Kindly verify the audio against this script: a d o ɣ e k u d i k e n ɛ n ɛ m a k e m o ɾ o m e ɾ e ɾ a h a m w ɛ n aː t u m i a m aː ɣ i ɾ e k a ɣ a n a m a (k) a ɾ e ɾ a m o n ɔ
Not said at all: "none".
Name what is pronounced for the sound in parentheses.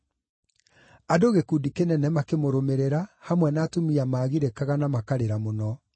k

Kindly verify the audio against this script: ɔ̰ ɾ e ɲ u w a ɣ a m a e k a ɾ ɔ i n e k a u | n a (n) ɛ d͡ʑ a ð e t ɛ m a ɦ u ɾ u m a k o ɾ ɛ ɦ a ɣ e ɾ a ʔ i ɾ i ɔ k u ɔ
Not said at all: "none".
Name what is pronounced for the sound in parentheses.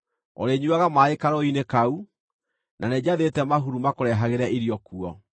n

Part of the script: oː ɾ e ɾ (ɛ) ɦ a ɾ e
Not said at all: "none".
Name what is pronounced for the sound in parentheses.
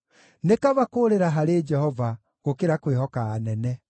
a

